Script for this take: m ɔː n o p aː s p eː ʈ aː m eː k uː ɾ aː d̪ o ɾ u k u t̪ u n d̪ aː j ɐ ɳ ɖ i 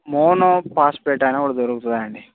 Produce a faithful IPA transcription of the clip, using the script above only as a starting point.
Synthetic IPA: m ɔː n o p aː s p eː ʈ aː n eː k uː ɽ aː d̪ o ɾ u k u t̪ u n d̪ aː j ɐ ɳ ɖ i